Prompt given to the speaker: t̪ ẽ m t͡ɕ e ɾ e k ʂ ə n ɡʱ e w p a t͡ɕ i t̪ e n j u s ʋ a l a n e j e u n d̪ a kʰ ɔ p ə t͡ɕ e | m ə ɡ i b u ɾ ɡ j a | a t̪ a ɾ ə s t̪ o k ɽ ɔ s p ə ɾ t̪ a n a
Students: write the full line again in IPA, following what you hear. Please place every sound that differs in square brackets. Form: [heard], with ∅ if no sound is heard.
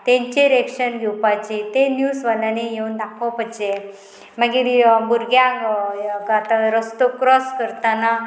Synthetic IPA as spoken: t̪ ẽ [ɲ] t͡ɕ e ɾ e k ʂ ə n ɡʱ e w p a t͡ɕ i t̪ e n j u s ʋ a l a n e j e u n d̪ a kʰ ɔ p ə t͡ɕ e | m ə ɡ i b u ɾ ɡ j a | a t̪ a ɾ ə s t̪ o k [ɾ] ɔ s [k] ə ɾ t̪ a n a